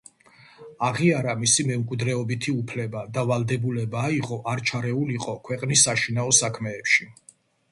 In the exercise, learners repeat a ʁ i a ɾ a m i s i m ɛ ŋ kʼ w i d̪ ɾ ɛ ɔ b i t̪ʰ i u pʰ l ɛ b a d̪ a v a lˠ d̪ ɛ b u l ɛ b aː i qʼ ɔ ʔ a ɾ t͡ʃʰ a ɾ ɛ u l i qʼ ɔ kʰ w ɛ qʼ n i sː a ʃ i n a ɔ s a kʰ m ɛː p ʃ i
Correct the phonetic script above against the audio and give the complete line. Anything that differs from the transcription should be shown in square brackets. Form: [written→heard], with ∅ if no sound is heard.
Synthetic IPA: a ʁ i a ɾ a m i s i m ɛ [ŋ→m] kʼ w i d̪ ɾ ɛ ɔ b i t̪ʰ i u pʰ l ɛ b a d̪ a v a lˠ d̪ ɛ b u l ɛ b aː i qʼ ɔ ʔ a ɾ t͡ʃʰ a ɾ ɛ u l i qʼ ɔ kʰ w ɛ qʼ n i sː a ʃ i n a ɔ s a kʰ m ɛː p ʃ i

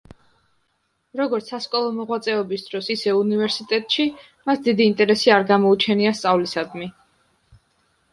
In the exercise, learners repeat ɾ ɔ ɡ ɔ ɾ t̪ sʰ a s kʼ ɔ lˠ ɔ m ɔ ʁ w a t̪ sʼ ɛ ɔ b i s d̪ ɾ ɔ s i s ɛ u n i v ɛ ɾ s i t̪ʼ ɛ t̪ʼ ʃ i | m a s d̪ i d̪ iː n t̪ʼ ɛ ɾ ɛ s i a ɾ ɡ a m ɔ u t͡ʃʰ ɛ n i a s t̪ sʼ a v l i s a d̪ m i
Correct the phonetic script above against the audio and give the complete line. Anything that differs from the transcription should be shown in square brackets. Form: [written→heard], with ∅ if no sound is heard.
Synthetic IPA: ɾ ɔ ɡ ɔ ɾ t̪ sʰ a s kʼ ɔ lˠ ɔ m ɔ ʁ w a t̪ sʼ ɛ ɔ b i s d̪ ɾ ɔ s i s ɛ u n i v ɛ ɾ s i t̪ʼ ɛ t̪ʼ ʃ i | m a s d̪ i d̪ iː n t̪ʼ ɛ ɾ ɛ s i a ɾ ɡ a m ɔ u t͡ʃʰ ɛ n i a s t̪ sʼ a v l i s a d̪ m i

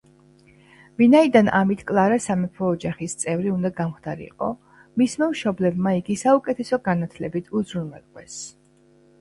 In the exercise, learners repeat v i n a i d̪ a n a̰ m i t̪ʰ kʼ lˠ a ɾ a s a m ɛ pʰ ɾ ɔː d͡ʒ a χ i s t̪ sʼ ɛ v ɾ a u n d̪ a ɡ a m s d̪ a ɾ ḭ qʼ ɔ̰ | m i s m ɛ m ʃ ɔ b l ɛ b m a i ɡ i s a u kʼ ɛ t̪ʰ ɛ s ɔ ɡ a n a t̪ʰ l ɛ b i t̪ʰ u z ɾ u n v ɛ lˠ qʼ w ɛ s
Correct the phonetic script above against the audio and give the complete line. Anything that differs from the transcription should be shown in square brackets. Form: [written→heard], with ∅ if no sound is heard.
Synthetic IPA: v i n a i d̪ a n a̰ m i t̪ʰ kʼ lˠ a ɾ a s a m ɛ pʰ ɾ ɔː d͡ʒ a χ i s t̪ sʼ ɛ v ɾ [a→i] u n d̪ a ɡ a m [s→χ] d̪ a ɾ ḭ qʼ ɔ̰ | m i s m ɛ m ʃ ɔ b l ɛ b m a i ɡ i s a u kʼ ɛ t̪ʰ ɛ s ɔ ɡ a n a t̪ʰ l ɛ b i t̪ʰ u z ɾ u n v ɛ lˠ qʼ w ɛ s

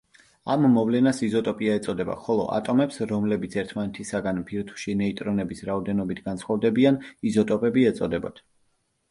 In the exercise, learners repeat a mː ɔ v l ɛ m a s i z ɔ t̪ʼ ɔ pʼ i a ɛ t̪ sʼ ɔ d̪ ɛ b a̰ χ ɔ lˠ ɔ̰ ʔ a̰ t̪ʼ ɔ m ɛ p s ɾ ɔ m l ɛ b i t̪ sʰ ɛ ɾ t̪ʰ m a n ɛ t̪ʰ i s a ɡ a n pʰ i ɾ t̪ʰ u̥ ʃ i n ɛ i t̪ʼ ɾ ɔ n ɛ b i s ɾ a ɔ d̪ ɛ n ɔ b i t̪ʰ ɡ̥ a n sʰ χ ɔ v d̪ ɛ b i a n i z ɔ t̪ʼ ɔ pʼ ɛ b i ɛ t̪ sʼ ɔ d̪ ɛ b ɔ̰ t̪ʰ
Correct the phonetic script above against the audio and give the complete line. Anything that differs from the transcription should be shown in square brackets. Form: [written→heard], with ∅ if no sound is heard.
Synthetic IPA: a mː ɔ v l ɛ [m→n] a s i z ɔ t̪ʼ ɔ pʼ i a ɛ t̪ sʼ ɔ d̪ ɛ b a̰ χ ɔ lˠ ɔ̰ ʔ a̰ t̪ʼ ɔ m ɛ p s ɾ ɔ m l ɛ b i t̪ sʰ ɛ ɾ t̪ʰ m a n ɛ t̪ʰ i s a ɡ a n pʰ i ɾ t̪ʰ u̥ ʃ i n ɛ i t̪ʼ ɾ ɔ n ɛ b i s ɾ a ɔ d̪ ɛ n ɔ b i t̪ʰ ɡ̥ a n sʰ χ ɔ v d̪ ɛ b i a n i z ɔ t̪ʼ ɔ pʼ ɛ b i ɛ t̪ sʼ ɔ d̪ ɛ b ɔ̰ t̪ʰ

